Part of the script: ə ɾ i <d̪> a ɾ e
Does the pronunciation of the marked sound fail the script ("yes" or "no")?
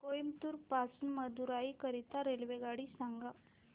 yes